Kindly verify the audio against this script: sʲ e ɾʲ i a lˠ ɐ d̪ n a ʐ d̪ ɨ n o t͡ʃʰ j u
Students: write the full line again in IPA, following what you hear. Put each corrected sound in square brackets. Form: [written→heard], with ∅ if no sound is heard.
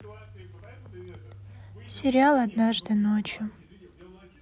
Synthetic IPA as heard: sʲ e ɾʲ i a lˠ [ɐ→a] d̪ n a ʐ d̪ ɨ n o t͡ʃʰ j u